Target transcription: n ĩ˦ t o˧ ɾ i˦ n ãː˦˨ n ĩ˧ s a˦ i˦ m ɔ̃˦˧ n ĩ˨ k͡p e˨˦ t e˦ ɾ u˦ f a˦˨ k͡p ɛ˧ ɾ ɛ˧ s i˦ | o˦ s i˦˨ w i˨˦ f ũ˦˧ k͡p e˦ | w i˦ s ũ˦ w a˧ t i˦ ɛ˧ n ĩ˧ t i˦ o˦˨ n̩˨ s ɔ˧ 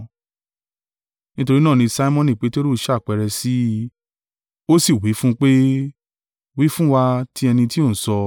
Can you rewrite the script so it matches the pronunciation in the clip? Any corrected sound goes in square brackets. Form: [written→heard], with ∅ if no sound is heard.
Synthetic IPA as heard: n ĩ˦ t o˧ ɾ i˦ n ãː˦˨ n ĩ˧ s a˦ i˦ m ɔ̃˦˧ n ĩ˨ k͡p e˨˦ t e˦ ɾ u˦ [f→ʃ] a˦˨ k͡p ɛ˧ ɾ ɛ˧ s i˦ | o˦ s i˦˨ w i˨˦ f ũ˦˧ k͡p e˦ | w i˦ [s→f] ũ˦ w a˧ t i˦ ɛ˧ n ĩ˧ t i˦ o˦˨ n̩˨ s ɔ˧